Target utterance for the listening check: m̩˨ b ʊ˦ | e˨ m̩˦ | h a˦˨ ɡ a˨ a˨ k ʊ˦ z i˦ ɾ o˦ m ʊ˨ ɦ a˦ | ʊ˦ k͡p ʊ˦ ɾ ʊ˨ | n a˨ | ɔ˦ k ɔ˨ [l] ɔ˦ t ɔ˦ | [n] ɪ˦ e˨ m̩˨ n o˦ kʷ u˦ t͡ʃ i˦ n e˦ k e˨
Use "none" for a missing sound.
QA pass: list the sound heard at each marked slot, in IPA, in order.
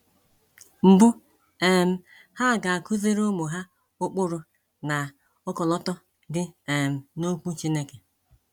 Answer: l, d

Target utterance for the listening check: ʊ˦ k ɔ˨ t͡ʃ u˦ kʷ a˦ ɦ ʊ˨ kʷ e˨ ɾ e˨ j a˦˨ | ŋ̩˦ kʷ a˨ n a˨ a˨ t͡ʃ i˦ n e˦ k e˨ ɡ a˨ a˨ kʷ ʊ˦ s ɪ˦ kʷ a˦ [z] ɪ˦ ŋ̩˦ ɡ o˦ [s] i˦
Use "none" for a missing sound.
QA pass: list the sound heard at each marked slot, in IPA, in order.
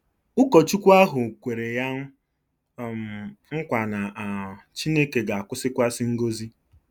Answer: s, z

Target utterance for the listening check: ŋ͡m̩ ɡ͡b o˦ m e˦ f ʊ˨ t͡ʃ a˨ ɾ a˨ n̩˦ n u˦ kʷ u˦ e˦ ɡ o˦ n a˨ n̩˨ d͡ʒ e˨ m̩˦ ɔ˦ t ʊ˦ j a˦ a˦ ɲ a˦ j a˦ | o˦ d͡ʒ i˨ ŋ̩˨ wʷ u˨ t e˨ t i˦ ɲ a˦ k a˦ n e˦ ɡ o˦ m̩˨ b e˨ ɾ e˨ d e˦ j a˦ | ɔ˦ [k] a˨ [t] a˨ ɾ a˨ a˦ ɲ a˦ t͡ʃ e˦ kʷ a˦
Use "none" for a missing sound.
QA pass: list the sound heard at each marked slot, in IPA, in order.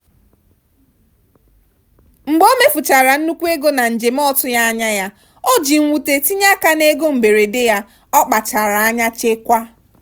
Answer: k͡p, t͡ʃ

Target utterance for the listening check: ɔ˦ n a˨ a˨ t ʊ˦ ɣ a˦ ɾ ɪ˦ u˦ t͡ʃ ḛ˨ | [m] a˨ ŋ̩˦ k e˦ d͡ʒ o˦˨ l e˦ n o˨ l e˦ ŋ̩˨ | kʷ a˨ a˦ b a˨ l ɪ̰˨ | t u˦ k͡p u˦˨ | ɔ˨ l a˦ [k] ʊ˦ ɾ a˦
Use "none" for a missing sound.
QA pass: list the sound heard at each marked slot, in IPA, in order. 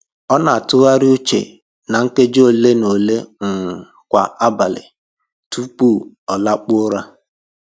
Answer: n, k͡p

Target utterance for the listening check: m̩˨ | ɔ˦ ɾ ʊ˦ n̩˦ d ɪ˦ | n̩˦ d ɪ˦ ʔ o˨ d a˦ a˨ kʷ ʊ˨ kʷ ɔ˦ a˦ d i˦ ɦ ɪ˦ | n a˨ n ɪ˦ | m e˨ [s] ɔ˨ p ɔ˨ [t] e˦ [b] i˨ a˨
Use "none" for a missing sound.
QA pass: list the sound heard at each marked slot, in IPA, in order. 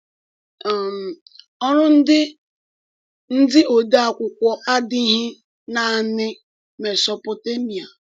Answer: s, t, m

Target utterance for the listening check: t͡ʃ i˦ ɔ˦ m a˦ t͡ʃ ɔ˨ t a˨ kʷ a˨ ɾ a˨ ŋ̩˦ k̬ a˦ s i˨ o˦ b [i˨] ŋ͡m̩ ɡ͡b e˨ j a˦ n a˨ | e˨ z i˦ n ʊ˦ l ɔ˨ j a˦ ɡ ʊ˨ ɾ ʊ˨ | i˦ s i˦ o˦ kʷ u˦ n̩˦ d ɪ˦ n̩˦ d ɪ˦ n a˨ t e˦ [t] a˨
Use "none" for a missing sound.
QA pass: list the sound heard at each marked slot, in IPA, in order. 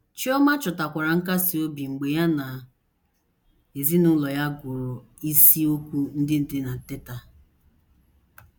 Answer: i˨, t

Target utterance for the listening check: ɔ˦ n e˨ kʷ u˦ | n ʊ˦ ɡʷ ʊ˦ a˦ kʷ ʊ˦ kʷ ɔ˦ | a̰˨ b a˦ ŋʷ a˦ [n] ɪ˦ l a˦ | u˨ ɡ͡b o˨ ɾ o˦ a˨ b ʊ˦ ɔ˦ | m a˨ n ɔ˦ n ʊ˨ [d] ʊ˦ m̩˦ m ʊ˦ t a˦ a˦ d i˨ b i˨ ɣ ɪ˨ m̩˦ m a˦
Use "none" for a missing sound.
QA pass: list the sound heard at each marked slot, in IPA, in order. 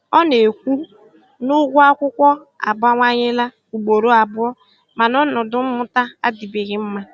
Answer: ɲ, d

